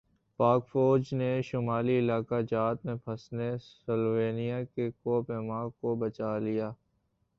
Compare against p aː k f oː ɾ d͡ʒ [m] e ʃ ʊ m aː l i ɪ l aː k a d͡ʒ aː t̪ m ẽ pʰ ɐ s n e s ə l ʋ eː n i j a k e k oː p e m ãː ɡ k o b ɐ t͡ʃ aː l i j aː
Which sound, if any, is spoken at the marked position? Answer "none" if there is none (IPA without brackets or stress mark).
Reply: n